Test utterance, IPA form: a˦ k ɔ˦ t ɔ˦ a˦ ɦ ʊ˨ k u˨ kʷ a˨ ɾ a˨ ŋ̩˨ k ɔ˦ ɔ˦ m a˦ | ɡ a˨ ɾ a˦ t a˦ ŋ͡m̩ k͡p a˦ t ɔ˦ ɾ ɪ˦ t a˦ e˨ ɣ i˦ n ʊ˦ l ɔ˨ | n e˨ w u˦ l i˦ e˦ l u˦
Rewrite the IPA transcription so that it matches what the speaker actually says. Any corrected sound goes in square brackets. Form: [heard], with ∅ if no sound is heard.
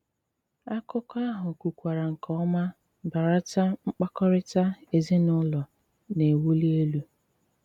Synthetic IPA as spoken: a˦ k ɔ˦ [k] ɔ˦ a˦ ɦ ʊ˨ k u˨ kʷ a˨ ɾ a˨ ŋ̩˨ k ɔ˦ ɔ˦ m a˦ | [b] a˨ ɾ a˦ t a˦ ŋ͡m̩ k͡p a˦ [k] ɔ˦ ɾ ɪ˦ t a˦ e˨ [z] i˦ n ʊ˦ l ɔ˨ | n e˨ w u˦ l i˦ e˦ l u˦